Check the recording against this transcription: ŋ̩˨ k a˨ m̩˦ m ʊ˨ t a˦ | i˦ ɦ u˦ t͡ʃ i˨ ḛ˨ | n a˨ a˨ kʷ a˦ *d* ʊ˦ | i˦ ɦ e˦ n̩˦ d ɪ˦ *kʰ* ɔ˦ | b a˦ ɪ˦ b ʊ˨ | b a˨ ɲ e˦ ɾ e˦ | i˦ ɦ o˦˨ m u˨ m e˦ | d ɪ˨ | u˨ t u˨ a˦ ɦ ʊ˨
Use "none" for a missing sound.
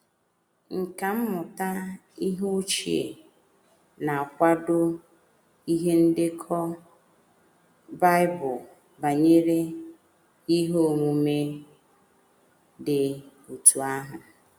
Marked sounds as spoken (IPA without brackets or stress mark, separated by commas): d, kʰ